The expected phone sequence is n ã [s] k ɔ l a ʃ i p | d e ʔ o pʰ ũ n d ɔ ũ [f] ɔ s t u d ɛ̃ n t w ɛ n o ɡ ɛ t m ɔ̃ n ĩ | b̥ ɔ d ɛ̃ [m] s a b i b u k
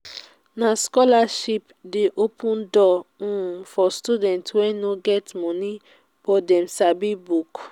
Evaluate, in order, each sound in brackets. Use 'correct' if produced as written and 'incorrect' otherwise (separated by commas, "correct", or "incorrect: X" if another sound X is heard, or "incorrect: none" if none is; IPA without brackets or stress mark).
correct, correct, correct